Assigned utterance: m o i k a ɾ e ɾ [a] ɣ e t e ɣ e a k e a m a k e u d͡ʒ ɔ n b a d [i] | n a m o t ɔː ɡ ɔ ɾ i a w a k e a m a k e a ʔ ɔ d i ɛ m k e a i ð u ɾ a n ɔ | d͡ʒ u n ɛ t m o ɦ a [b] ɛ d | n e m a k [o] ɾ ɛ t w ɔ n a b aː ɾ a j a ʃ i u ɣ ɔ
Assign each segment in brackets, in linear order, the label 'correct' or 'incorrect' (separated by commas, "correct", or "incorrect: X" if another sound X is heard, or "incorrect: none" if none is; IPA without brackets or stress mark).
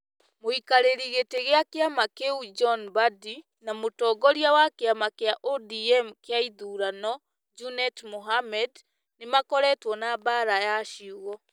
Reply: incorrect: i, correct, incorrect: m, incorrect: ɔ